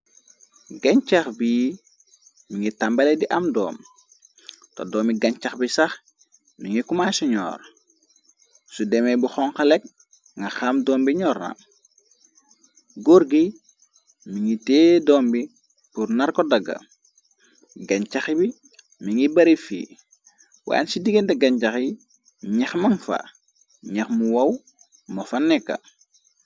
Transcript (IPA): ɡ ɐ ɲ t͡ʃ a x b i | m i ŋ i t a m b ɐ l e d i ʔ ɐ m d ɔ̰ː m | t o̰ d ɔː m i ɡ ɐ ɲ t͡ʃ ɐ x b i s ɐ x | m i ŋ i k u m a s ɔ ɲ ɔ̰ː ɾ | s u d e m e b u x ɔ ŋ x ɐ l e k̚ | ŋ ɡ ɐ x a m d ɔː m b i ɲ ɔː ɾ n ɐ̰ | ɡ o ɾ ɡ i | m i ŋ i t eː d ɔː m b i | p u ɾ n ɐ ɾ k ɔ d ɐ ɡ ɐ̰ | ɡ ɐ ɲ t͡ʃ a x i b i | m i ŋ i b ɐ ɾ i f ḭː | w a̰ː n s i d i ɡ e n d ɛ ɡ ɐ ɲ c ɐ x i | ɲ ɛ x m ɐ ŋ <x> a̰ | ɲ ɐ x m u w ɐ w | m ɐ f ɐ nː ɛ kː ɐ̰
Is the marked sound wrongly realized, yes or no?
yes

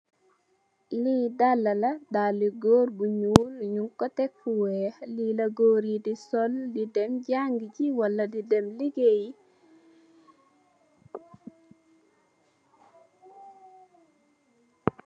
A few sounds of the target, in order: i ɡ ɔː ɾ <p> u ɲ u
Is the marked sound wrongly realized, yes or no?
yes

